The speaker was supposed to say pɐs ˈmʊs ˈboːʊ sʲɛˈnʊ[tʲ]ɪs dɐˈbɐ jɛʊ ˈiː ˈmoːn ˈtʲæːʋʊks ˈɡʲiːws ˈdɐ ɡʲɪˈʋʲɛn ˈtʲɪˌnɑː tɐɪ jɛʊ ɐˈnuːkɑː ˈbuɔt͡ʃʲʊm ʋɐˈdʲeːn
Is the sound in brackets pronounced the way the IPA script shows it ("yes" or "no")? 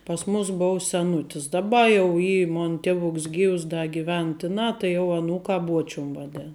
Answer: yes